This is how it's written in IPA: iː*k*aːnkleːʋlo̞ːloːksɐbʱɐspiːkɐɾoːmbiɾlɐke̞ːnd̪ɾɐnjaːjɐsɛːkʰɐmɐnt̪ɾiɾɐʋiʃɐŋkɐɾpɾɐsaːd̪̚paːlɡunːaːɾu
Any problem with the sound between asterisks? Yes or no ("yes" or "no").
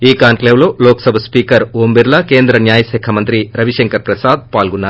no